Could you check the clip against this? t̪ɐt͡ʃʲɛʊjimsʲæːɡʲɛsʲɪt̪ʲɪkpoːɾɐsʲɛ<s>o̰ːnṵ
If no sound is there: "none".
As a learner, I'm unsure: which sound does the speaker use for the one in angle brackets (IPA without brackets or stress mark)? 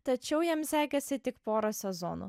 z